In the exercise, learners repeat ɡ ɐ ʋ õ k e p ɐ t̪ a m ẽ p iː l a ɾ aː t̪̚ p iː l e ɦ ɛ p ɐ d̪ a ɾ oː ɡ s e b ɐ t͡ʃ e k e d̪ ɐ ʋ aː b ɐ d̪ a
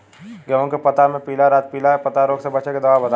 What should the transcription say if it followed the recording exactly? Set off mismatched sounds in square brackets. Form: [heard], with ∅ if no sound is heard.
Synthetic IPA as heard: ɡ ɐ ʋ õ k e p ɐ t̪ a m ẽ p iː l a ɾ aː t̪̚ p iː l [a] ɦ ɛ p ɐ [t̪] a ɾ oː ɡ s e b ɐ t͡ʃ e k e d̪ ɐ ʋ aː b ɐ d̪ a